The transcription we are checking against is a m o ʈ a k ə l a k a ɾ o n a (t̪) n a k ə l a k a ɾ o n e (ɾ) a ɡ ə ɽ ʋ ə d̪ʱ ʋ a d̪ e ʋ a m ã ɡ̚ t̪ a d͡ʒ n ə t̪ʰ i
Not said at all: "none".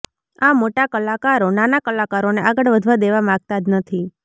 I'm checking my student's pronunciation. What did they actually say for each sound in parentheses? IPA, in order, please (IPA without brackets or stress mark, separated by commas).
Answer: none, none